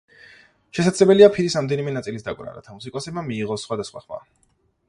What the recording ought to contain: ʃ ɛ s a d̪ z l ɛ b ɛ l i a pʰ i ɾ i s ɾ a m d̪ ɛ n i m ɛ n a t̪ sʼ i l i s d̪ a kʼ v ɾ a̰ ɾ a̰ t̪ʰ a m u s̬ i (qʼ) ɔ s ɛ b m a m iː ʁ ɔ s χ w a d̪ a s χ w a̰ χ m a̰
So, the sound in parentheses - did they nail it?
no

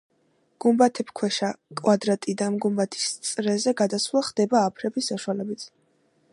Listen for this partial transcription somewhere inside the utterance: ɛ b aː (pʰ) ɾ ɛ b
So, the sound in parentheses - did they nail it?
yes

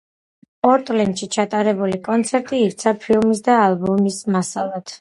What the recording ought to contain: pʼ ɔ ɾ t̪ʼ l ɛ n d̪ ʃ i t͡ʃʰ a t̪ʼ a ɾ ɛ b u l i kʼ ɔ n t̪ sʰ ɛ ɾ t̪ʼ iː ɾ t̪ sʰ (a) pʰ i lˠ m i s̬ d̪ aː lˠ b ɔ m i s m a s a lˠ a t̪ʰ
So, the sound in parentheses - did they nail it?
yes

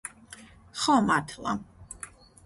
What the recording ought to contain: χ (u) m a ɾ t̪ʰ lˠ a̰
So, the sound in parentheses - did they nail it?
no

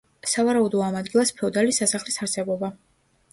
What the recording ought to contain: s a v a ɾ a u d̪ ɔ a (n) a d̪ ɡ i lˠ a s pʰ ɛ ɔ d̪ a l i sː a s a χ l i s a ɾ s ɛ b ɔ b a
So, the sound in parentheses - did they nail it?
no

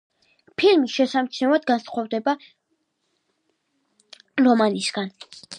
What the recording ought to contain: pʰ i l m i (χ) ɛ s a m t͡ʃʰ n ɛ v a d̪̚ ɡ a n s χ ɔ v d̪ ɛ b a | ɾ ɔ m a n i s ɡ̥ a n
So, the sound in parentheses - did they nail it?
no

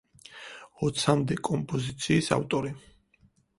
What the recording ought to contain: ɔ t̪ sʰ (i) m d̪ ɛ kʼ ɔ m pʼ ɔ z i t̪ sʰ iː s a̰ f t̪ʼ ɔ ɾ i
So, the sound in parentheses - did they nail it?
no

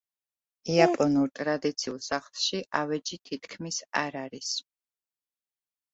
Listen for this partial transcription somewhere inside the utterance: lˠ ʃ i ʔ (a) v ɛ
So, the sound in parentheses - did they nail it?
yes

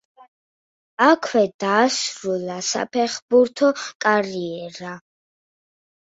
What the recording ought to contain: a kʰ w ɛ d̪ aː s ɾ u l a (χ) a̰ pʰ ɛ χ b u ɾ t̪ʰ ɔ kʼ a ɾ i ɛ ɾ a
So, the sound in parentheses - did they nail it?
no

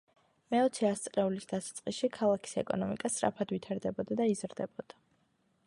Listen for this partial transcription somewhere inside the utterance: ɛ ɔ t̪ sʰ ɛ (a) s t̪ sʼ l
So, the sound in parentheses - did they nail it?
yes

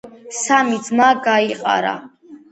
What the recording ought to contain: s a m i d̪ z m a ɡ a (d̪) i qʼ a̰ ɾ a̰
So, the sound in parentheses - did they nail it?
no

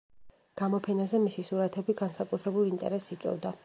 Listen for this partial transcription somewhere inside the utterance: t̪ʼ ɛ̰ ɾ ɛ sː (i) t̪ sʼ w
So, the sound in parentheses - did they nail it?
yes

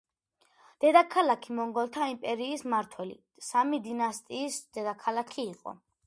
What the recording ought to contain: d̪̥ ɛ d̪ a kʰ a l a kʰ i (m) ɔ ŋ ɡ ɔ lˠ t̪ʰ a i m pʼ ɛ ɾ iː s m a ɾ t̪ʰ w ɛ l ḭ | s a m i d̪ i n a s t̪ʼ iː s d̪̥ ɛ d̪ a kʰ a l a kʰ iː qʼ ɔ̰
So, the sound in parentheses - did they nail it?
yes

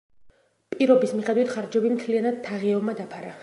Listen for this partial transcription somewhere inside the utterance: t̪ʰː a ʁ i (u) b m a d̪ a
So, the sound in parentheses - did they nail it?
no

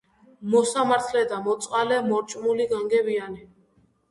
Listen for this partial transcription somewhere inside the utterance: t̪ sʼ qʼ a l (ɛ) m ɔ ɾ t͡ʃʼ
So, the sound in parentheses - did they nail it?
yes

